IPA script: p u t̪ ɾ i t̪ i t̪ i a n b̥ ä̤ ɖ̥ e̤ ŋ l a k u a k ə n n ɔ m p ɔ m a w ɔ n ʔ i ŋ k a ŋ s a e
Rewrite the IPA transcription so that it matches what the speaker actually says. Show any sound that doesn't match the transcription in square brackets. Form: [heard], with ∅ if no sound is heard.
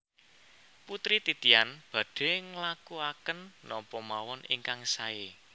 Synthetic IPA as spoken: p u t̪ ɾ i t̪ i t̪ i a n b̥ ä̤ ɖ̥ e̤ ŋ l a k u a k ə n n ɔ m p ɔ m a w ɔ n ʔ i ŋ k a ŋ s a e